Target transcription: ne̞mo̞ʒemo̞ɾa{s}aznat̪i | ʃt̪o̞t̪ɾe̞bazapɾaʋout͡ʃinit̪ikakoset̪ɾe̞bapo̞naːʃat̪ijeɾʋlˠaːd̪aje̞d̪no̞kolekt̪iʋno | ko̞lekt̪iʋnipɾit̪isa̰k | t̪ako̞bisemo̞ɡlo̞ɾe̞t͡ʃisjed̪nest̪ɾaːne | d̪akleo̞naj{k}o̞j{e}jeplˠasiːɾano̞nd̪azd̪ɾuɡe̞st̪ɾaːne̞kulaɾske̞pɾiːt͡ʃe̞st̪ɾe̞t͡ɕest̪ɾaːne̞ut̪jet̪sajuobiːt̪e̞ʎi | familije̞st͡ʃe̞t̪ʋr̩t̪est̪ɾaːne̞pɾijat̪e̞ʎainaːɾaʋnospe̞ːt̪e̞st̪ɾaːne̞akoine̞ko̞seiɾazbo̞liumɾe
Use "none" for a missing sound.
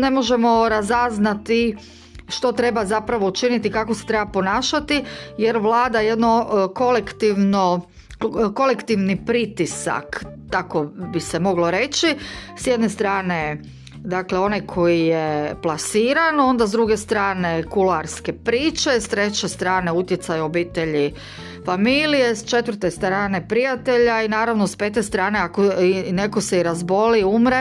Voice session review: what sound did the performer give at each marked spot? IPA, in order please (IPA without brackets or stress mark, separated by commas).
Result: z, kʰ, i